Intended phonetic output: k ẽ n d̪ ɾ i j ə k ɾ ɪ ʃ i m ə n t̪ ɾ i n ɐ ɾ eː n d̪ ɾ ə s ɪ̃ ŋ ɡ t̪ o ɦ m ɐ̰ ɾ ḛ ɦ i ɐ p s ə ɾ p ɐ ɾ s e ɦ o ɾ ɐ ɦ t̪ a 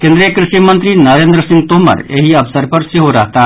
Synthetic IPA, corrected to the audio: k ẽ n d̪ ɾ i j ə k ɾ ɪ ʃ i m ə n t̪ ɾ i n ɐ ɾ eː n d̪ ɾ ə s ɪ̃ ŋ ɡ t̪ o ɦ m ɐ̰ ɾ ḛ ɦ i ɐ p s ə ɾ p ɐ ɾ s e ɦ o ɾ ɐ ɦ t̪ a